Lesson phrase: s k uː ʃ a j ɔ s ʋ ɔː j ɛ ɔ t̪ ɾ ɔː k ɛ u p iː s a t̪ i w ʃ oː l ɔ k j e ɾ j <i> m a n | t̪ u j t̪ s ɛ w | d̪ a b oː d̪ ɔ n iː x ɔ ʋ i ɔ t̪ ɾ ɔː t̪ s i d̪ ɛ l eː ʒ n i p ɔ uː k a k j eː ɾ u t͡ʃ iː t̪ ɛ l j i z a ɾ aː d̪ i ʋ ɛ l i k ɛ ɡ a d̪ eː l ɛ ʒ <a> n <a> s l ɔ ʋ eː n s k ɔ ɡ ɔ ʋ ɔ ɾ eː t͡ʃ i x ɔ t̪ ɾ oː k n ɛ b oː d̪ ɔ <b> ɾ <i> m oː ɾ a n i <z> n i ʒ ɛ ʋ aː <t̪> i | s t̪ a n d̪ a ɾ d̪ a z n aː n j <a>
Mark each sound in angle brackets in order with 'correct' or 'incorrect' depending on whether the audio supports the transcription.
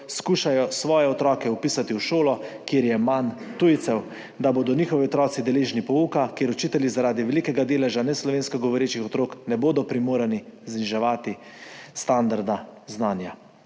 incorrect: ɛ, correct, incorrect: ɛ, incorrect: p, correct, correct, correct, correct

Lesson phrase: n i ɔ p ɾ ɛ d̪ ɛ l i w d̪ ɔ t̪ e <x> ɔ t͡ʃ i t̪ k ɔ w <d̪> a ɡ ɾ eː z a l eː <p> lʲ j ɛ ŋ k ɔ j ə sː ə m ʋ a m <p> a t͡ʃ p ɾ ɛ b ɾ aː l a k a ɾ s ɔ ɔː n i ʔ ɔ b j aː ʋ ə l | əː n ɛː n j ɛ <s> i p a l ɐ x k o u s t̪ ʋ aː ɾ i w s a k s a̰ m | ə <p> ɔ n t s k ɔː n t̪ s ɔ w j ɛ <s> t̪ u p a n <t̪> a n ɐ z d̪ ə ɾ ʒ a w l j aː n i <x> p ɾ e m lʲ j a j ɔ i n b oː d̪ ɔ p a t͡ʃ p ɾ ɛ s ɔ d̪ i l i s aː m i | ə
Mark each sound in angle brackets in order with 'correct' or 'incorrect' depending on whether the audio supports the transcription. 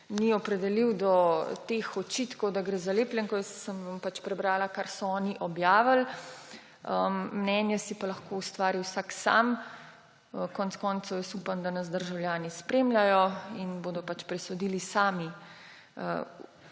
correct, correct, correct, correct, correct, incorrect: k, correct, incorrect: d̪, incorrect: s

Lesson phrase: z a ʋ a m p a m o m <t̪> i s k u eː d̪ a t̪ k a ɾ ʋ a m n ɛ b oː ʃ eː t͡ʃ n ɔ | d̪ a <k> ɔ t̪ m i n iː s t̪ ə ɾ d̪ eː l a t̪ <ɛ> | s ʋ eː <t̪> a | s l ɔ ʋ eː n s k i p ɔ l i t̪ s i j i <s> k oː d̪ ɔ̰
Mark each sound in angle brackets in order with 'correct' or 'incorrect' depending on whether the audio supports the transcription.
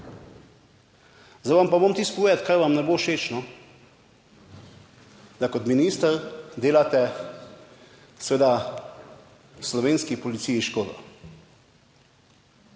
correct, correct, correct, incorrect: d̪, incorrect: ʃ

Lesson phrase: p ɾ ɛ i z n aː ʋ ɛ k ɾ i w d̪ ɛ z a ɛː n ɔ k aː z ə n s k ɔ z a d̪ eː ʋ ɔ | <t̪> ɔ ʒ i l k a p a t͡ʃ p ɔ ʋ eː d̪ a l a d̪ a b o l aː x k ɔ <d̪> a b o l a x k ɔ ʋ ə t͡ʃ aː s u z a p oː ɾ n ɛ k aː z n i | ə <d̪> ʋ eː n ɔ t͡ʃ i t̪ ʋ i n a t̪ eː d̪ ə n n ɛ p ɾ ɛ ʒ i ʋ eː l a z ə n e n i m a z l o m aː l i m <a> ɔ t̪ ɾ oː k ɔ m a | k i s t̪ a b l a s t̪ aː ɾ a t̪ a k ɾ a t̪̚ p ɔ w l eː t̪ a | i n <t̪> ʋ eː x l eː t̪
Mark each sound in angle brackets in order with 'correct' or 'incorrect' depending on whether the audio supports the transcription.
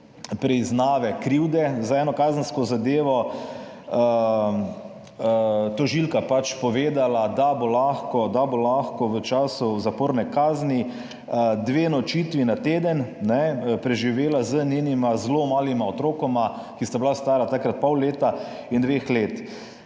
correct, correct, correct, correct, incorrect: d̪

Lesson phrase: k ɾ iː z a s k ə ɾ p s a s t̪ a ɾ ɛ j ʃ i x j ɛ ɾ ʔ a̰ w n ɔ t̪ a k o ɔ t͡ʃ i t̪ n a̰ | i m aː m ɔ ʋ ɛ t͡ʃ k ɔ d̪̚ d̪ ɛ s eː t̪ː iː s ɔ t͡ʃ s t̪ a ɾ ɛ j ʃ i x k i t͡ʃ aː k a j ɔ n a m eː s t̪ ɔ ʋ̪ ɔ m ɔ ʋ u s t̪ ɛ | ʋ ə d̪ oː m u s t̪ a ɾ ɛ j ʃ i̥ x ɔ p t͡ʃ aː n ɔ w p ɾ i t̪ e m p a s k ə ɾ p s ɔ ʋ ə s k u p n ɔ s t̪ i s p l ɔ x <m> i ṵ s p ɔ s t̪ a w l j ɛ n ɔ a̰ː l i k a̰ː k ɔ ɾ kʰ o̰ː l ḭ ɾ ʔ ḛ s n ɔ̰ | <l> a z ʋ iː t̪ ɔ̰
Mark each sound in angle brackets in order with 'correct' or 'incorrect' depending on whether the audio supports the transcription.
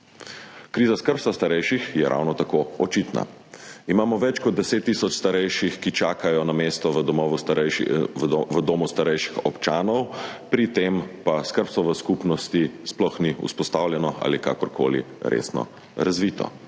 incorrect: n, incorrect: ɾ

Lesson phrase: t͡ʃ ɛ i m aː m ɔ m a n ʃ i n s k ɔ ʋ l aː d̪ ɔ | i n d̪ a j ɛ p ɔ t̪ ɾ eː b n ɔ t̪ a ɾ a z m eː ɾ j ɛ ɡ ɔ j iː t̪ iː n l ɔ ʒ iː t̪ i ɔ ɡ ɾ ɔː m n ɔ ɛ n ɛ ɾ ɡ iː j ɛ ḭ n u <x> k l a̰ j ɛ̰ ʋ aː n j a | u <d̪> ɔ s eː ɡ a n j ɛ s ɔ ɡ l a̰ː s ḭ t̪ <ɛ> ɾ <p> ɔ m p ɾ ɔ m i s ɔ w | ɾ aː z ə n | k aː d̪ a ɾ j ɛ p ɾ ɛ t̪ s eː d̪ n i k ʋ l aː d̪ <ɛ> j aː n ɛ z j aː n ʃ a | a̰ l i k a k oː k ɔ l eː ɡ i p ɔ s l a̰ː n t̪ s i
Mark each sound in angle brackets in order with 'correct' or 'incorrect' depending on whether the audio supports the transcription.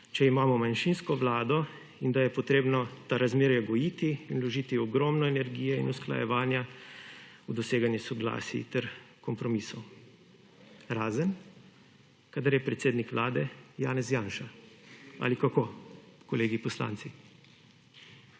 incorrect: s, correct, correct, incorrect: k, correct

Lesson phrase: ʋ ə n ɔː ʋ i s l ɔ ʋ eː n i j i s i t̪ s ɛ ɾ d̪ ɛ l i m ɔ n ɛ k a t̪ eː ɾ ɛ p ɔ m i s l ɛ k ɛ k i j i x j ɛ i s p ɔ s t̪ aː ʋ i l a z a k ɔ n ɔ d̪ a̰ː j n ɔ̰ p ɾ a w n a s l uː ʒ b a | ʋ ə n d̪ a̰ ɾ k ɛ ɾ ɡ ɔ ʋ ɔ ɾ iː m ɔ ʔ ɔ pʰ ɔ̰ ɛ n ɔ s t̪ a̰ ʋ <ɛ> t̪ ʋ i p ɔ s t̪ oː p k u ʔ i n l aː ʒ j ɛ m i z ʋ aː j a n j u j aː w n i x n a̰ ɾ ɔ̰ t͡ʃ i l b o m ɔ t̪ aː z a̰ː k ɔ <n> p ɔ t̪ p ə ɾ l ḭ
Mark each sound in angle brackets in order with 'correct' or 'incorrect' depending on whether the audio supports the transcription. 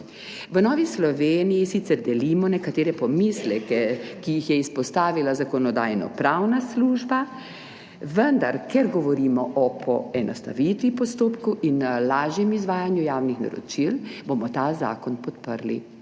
incorrect: i, correct

